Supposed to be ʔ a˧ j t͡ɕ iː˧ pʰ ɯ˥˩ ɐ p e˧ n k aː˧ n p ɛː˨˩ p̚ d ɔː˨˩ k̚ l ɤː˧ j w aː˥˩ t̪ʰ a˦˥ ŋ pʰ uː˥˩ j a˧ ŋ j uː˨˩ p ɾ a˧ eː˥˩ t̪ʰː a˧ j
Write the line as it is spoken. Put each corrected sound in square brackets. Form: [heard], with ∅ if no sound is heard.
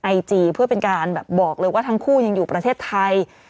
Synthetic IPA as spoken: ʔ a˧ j t͡ɕ iː˧ pʰ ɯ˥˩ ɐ p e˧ n k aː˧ n [b] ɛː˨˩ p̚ [b] ɔː˨˩ k̚ l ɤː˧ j w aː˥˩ t̪ʰ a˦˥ ŋ [kʰ] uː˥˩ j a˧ ŋ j uː˨˩ p ɾ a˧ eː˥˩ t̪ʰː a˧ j